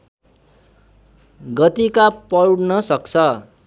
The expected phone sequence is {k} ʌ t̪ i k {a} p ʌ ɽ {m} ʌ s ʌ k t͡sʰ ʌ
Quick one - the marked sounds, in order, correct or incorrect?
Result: incorrect: ɡ, correct, incorrect: n

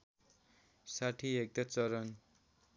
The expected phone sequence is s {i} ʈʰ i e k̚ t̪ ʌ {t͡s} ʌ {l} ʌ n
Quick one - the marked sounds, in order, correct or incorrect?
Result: incorrect: a, correct, incorrect: ɾ

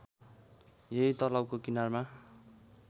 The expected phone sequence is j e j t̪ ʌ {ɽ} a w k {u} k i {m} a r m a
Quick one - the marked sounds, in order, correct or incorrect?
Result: incorrect: l, incorrect: o, incorrect: n

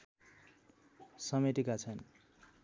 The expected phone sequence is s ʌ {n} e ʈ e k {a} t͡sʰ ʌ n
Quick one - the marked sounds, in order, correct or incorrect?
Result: incorrect: m, correct

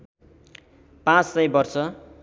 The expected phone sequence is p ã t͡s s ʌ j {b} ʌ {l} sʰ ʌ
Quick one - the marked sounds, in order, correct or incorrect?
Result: correct, incorrect: r

